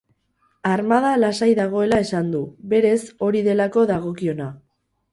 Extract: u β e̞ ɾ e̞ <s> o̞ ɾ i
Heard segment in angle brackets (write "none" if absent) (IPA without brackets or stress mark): s